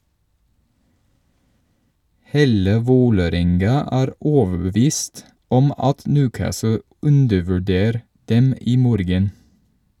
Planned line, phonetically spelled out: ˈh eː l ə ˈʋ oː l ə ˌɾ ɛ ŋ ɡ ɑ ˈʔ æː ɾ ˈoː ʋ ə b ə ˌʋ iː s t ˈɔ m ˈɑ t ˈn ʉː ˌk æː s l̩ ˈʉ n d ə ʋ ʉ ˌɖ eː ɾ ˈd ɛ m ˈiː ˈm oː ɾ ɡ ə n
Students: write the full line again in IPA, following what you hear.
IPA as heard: ˈh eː l ə ˈʋ oː l ə ˌɾ ɛ ŋ ɡ ɑ ˈʔ æː ɾ ˈoː ʋ ə b ə ˌʋ iː s t ˈɔ m ˈɑ t ˈn ʉː ˌk æː s l̩ ˈʉ n d ə ʋ ʉ ˌɖ eː ɾ ˈd ɛ m ˈiː ˈm oː ɾ ɡ ə n